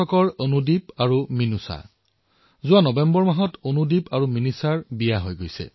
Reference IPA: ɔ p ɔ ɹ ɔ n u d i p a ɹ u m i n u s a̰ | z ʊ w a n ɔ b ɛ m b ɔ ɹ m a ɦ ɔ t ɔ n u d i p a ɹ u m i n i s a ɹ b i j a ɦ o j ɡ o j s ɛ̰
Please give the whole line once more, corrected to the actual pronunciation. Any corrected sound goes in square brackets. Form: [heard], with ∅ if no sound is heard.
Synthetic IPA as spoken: ɔ [k] ɔ ɹ [o] n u d i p a ɹ u m i n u s a̰ | z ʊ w a n ɔ b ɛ m b ɔ ɹ m a ɦ ɔ t [o] n u d i p a ɹ u m i n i s a ɹ b i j a ɦ o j ɡ o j s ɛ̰